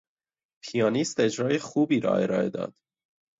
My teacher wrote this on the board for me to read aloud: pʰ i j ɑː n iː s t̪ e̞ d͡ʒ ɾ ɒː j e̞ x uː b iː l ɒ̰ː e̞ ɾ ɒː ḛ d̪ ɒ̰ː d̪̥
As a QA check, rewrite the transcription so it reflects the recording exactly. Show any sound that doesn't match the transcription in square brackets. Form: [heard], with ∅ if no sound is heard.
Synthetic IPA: pʰ i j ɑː n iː s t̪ e̞ d͡ʒ ɾ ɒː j e̞ x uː b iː [ɾ] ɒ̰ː e̞ ɾ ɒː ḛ d̪ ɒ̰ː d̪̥